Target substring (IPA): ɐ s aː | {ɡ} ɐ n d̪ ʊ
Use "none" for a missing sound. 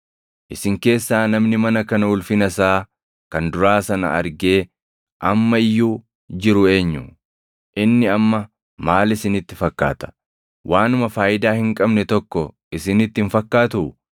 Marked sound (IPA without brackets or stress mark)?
k